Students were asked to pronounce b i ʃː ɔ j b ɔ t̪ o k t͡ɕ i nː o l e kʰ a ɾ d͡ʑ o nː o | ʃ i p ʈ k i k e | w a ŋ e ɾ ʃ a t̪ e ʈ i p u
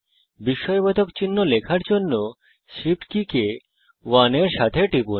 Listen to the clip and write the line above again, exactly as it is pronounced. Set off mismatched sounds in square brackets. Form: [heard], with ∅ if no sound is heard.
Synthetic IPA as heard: b i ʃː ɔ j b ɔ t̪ o k t͡ɕ i nː o l e kʰ a ɾ d͡ʑ o nː o | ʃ i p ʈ k i k e | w a [n] e ɾ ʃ a [t̪ʰ] e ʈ i p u